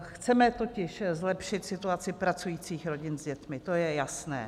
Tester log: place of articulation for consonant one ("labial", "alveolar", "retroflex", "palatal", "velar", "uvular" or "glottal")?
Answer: velar